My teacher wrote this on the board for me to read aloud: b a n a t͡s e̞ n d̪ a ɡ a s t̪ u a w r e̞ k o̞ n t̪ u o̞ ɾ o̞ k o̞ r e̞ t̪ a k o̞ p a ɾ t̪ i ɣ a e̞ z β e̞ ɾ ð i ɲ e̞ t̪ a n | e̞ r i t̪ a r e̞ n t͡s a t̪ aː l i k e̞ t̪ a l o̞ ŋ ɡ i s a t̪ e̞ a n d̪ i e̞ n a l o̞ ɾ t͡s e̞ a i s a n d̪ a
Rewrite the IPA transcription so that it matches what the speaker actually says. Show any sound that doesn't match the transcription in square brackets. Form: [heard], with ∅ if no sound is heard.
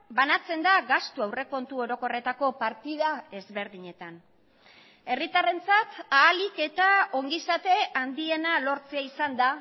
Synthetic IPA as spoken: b a n a t͡s e̞ n d̪ a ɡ a s t̪ u a w r e̞ k o̞ n t̪ u o̞ ɾ o̞ k o̞ r e̞ t̪ a k o̞ p a ɾ t̪ i [ð] a e̞ z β e̞ ɾ ð i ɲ e̞ t̪ a n | e̞ r i t̪ a r e̞ n t͡s a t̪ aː l i k e̞ t̪ a [∅] o̞ ŋ ɡ i s a t̪ e̞ a n d̪ i e̞ n a l o̞ ɾ t͡s e̞ a i s a n d̪ a